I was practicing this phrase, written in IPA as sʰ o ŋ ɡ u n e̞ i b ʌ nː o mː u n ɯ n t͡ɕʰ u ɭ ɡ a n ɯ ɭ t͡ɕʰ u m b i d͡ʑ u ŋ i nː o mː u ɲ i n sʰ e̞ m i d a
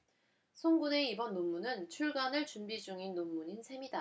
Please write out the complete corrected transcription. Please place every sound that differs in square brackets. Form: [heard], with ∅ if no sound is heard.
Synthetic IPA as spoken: sʰ o ŋ ɡ u n e̞ i b ʌ nː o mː u n ɯ n t͡ɕʰ u ɭ ɡ a n ɯ ɭ [t͡ɕ] u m b i d͡ʑ u ŋ i nː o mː u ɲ i n sʰ e̞ m i d a